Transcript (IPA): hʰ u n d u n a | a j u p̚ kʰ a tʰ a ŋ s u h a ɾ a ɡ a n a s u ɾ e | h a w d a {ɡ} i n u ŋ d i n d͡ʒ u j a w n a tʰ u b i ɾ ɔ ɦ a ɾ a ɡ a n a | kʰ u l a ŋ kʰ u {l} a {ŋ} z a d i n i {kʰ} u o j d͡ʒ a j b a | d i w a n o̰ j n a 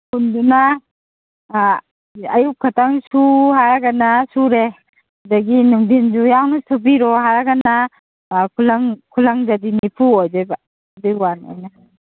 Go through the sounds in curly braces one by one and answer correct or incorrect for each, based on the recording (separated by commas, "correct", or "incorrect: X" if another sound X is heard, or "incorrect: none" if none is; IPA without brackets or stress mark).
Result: correct, correct, correct, incorrect: pʰ